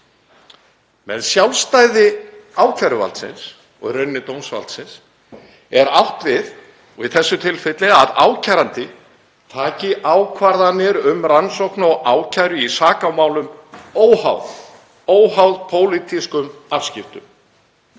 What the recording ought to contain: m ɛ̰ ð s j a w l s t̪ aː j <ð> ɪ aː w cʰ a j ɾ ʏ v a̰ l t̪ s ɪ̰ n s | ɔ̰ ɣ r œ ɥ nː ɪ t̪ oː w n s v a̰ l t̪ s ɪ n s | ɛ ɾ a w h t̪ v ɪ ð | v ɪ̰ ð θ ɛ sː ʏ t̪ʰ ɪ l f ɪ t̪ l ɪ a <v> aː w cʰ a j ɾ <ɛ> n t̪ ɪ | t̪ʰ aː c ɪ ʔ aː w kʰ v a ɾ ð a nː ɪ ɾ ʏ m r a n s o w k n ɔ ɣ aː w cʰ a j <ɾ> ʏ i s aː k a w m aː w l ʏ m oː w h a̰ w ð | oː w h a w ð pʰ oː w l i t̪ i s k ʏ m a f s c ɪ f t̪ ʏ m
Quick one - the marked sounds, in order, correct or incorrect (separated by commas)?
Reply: correct, incorrect, incorrect, correct